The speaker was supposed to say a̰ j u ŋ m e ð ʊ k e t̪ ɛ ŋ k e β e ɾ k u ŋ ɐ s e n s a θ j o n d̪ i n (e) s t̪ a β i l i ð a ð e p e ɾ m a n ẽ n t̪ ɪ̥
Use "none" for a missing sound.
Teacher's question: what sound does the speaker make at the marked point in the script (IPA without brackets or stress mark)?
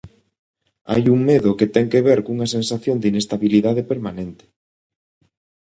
e